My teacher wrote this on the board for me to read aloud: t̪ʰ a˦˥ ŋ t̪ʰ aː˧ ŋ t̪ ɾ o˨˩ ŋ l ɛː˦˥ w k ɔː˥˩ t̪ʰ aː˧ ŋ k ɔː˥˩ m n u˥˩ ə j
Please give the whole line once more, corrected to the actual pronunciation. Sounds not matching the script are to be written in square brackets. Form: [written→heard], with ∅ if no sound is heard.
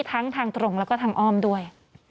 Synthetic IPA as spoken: t̪ʰ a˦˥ ŋ t̪ʰ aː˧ ŋ t̪ ɾ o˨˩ ŋ l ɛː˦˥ w k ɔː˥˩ t̪ʰ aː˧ ŋ [k→ʔ] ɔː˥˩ m [n→d] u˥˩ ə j